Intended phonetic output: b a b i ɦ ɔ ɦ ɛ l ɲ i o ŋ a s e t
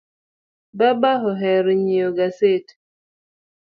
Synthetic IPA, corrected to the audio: b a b a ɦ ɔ ɦ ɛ ɾ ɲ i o ɡ a s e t